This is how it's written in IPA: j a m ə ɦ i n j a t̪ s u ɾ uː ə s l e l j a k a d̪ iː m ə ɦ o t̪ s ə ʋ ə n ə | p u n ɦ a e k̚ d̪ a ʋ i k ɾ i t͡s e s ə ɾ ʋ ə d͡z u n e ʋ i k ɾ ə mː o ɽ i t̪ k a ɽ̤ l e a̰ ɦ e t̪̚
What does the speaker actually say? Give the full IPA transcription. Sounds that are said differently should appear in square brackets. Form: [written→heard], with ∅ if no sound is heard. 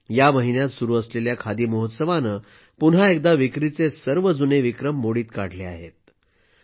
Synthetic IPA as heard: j a m ə ɦ i n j a t̪ s u ɾ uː ə s l e l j a [k→kʰ] a d̪ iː m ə ɦ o t̪ s ə ʋ [ə→a] n ə | p u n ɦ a e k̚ d̪ a ʋ i k ɾ i t͡s e s ə ɾ ʋ ə d͡z u n e ʋ i k ɾ ə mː o ɽ [i→iː] t̪ k a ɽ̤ l e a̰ ɦ e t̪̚

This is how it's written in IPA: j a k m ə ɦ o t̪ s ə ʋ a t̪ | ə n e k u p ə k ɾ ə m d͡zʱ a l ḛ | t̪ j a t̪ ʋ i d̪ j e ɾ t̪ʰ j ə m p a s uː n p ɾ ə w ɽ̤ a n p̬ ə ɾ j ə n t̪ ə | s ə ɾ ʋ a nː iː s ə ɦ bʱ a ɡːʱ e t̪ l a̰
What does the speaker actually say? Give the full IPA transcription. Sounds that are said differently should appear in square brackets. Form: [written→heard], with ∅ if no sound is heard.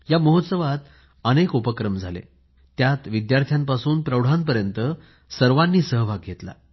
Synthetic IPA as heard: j a [k→∅] m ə ɦ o t̪ s ə ʋ a t̪ | ə n e k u p ə k ɾ ə m d͡zʱ a l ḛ | t̪ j a t̪ ʋ i d̪ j [e→a] ɾ t̪ʰ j [ə→a] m p a s uː n p ɾ ə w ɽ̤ a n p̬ ə ɾ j ə n t̪ ə | s ə ɾ ʋ a nː iː s ə ɦ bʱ a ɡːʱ e t̪ l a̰

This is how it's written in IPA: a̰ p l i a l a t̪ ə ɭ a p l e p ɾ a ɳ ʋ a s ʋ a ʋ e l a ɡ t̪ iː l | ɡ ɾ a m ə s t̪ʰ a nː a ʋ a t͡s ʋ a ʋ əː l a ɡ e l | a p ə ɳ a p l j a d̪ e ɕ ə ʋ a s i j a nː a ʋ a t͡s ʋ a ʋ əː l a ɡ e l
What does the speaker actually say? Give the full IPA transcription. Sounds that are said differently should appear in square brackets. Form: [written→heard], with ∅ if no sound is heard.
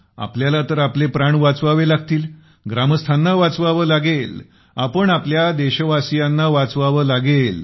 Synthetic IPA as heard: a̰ p l [i→j] a l a t̪ ə [ɭ→ɾ] a p l e p ɾ a ɳ ʋ a [s→t͡s] ʋ a ʋ e l a ɡ t̪ iː l | ɡ ɾ a m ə s t̪ʰ a nː a ʋ a t͡s ʋ a ʋ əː l a ɡ e l | a p ə ɳ a p l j a d̪ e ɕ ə ʋ a s i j a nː a ʋ a t͡s ʋ a ʋ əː l a ɡ e l

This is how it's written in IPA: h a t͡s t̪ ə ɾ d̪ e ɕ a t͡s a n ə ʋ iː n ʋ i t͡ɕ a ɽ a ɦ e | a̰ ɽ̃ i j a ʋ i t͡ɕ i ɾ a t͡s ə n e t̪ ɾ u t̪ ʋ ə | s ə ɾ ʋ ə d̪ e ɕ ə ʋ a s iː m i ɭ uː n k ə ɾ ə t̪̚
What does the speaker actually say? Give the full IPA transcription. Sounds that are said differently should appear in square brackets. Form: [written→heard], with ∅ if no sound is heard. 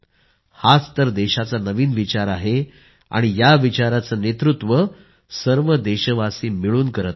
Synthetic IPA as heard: h a t͡s t̪ ə ɾ d̪ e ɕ a t͡s a n ə ʋ iː n ʋ i t͡ɕ a [ɽ→ɾ] a ɦ e | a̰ ɽ̃ i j a ʋ i t͡ɕ [i→a] ɾ a t͡s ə n e t̪ ɾ u t̪ ʋ ə | s ə ɾ ʋ ə d̪ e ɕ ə ʋ a s iː m i ɭ uː n k ə ɾ ə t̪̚

